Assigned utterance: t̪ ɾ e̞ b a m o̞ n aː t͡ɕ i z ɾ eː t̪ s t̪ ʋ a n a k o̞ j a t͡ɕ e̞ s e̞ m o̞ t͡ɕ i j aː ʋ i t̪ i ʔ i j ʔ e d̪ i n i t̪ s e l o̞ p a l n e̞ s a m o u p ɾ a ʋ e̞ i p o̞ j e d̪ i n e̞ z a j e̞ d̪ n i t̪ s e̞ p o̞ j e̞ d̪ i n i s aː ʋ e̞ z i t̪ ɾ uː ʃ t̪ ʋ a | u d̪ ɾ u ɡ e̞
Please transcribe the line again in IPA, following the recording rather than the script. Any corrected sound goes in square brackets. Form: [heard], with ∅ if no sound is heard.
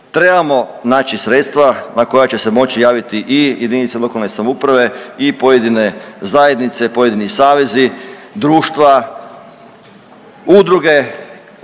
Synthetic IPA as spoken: t̪ ɾ e̞ b a m o̞ n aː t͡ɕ i [s] ɾ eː t̪ s t̪ ʋ a n a k o̞ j a t͡ɕ e̞ s e̞ m o̞ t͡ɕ i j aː ʋ i t̪ i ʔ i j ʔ e d̪ i n i t̪ s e l o̞ [k] a l n e̞ s a m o u p ɾ a ʋ e̞ i p o̞ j e d̪ i n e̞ z a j e̞ d̪ n i t̪ s e̞ p o̞ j e̞ d̪ i n i s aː ʋ e̞ z i [d̪] ɾ uː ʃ t̪ ʋ a | u d̪ ɾ u ɡ e̞